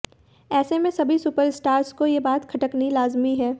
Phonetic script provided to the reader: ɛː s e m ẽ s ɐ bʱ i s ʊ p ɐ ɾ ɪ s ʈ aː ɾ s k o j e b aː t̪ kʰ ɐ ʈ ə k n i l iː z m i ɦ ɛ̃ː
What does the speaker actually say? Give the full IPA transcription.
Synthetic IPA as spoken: ɛː s e m ẽ s ɐ bʱ i s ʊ p ə ɾ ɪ s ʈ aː ɾ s k o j e b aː t̪ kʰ ɐ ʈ ə k n i l aː z m i ɦ ɛː

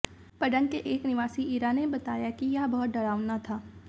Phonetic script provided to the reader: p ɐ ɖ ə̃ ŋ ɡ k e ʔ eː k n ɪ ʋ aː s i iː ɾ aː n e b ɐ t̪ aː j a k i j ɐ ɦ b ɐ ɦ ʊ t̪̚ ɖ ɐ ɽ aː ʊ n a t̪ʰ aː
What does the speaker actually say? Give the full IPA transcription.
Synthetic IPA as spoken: p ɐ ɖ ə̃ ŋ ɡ k e ʔ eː k n ɪ ʋ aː s i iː ɾ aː n e b ɐ t̪ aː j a k i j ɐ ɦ b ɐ ɦ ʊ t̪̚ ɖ ɐ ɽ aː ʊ n a t̪ʰ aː

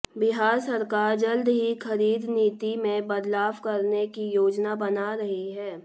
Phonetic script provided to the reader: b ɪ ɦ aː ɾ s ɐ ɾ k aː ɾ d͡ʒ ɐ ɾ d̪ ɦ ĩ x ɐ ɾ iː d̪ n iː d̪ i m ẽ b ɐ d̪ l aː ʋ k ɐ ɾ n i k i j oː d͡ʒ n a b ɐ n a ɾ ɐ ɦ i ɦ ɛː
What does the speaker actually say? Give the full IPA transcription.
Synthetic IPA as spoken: b ɪ ɦ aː ɾ s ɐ ɾ k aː ɾ d͡ʒ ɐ l d̪ ɦ i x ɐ ɾ iː d̪ n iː t̪ i m ẽ b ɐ d̪ l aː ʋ k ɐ ɾ n e k i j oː d͡ʒ n a b ɐ n a ɾ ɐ ɦ i ɦ ɛː

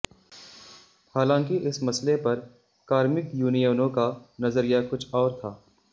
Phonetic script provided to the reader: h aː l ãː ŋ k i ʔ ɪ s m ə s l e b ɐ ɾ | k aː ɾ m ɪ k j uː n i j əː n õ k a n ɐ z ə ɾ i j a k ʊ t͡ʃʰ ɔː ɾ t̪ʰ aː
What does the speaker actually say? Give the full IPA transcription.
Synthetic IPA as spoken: h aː l ãː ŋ k i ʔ ɪ s m ɐ s l e p ɐ ɾ | k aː ɾ m ɪ k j uː n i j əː n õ k a n ɐ z ə ɾ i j a k ʊ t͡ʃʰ ɔː ɾ t̪ʰ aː

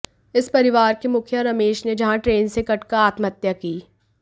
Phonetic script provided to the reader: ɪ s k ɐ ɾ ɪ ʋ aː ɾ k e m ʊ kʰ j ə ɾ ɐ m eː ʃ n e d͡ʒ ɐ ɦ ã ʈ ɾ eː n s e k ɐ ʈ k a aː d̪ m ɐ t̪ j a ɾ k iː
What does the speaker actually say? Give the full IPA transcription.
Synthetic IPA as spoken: ɪ s p ɐ ɾ ɪ ʋ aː ɾ k e m ʊ kʰ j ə ɾ ɐ m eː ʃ n e d͡ʒ ɐ ɦ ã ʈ ɾ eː n s e k ɐ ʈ k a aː t̪ m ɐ t̪ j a k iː

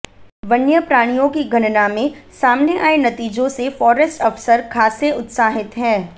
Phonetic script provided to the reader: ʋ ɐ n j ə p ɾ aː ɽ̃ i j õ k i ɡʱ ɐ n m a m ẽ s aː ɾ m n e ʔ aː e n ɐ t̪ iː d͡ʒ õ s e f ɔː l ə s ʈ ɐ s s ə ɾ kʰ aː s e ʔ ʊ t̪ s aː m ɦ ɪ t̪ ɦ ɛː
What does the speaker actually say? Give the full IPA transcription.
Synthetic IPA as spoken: ʋ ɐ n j ə p ɾ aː ɽ̃ i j õ k i ɡʱ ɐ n n a m ẽ s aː m n e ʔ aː e n ɐ t̪ iː d͡ʒ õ s e f ɔː ɾ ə s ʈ ɐ f s ə ɾ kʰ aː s e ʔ ʊ t̪ s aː ɦ ɪ t̪ ɦ ɛː

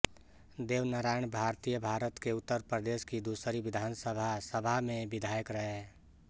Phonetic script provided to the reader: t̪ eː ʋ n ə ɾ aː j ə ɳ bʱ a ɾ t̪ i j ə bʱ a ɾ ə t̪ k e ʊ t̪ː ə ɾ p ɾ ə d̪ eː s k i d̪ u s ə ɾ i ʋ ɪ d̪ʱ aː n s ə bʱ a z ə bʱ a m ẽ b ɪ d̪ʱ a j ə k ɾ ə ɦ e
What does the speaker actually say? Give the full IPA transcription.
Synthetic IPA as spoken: d̪ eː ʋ n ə ɾ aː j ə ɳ bʱ a ɾ t̪ i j ə bʱ a ɾ ə t̪ k e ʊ t̪ː ə ɾ p ɾ ə d̪ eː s k i d̪ u s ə ɾ i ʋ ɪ d̪ʱ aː n s ə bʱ a s ə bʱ a m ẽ b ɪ d̪ʱ a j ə k ɾ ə ɦ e

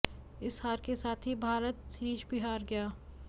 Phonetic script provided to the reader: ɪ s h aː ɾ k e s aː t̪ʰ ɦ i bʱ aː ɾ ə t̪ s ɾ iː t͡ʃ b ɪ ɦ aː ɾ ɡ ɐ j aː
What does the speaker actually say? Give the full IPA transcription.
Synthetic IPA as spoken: ɪ s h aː ɾ k e s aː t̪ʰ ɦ i bʱ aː ɾ ə t̪ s ɾ iː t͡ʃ b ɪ ɦ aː ɾ ɡ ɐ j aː

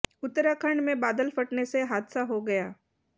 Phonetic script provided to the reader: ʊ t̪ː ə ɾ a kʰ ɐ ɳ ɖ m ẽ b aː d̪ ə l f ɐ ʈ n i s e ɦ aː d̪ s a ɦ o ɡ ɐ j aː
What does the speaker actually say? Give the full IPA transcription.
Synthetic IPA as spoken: ʊ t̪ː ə ɾ a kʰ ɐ ɳ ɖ m ẽ b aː d̪ ə l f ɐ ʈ n e s e ɦ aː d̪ s a ɦ o ɡ ɐ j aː

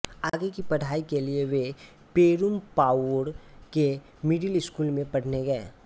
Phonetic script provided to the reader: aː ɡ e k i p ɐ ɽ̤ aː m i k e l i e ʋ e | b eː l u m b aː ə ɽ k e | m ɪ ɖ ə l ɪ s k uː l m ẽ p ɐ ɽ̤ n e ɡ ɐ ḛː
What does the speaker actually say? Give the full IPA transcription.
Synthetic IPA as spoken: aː ɡ e k i p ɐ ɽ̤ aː i k e l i e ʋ e | p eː ɾ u m p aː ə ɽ k e | m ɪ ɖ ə l ɪ s k uː l m ẽ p ɐ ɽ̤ n e ɡ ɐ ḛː

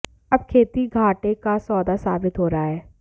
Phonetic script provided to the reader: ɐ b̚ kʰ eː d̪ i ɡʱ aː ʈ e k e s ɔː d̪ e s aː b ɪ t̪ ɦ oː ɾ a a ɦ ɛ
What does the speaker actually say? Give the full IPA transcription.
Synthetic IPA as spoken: ɐ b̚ kʰ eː t̪ i ɡʱ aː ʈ e k a s ɔː d̪ a s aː b ɪ t̪ ɦ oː ɾ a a ɦ ɛː

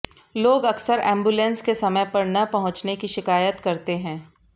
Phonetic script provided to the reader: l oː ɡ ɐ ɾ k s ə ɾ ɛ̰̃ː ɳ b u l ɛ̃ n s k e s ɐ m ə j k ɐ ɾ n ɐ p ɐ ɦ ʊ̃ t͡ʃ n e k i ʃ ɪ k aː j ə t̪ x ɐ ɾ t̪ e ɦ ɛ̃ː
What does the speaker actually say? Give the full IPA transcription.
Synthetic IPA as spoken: l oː ɡ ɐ k s ə ɾ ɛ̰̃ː m b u l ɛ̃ n s k e s ɐ m ə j p ɐ ɾ n ɐ p ɐ ɦ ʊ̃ t͡ʃ n e k i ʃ ɪ k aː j ə t̪ k ɐ ɾ t̪ e ɦ ɛ̃ː

